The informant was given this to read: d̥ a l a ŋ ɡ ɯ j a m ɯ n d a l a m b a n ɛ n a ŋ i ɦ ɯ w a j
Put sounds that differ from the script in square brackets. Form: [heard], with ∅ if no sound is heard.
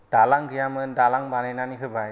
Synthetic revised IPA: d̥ a l a ŋ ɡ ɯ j a m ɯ n d a l a [ŋ] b a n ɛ n a [n] i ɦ ɯ [b] a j